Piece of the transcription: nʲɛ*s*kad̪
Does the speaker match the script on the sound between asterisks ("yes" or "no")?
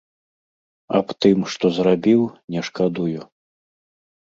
no